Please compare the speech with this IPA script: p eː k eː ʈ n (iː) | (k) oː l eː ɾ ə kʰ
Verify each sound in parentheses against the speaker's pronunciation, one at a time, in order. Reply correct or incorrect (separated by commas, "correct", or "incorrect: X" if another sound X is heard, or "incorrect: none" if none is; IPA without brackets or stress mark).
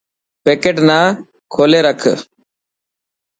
incorrect: aː, incorrect: kʰ